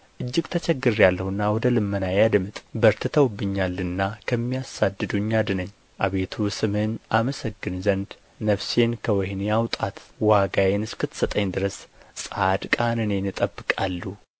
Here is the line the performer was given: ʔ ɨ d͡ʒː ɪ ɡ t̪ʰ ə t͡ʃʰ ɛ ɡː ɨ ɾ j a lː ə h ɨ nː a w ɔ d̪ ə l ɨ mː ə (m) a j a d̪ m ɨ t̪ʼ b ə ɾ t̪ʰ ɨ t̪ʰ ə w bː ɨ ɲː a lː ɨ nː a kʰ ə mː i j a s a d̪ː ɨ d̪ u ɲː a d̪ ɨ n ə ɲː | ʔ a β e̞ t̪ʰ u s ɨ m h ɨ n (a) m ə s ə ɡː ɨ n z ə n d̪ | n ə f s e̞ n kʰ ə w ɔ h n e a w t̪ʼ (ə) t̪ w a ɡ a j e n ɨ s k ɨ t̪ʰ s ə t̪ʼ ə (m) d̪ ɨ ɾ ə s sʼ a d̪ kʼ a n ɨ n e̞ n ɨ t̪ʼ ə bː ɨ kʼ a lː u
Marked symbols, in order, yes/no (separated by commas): no, yes, no, no